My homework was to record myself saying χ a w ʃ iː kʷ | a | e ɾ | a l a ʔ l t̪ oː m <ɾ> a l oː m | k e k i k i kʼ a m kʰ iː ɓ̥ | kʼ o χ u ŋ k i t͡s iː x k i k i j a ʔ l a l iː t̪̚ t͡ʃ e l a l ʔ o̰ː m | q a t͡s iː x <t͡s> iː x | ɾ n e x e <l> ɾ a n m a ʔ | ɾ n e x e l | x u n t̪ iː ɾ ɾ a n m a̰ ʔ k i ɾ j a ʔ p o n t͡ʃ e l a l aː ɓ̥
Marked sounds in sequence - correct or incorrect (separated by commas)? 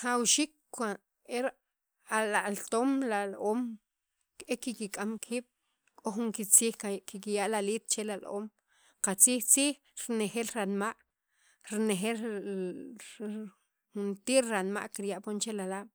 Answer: incorrect, correct, correct